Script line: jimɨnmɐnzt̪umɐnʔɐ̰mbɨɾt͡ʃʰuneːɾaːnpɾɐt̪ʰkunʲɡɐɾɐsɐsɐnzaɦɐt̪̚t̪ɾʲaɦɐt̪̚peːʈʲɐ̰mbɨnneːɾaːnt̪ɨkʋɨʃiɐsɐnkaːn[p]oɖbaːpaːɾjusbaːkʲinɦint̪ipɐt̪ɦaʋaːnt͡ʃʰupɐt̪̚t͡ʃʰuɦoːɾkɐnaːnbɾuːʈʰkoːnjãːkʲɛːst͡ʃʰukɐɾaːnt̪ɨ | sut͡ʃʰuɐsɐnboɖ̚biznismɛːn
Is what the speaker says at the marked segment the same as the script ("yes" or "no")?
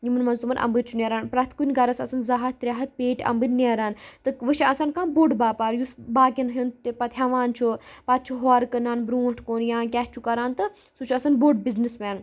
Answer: no